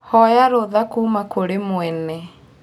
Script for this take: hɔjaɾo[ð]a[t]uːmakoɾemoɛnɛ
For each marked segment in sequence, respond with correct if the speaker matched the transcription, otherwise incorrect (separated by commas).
correct, incorrect